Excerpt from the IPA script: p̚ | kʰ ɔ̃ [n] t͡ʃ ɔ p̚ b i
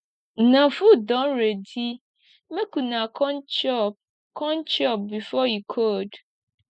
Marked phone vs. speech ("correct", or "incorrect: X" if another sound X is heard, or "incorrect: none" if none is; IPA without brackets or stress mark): correct